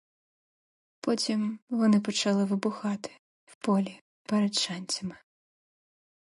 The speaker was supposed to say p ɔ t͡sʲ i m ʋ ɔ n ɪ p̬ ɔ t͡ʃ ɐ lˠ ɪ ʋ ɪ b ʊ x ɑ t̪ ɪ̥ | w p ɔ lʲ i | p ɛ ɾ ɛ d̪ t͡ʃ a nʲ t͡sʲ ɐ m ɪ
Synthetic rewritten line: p ɔ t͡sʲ i m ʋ ɔ n ɪ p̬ ɔ t͡ʃ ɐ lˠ ɪ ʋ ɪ b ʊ x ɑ t̪ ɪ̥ | w p ɔ lʲ i | p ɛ ɾ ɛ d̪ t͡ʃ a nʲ t͡sʲ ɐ m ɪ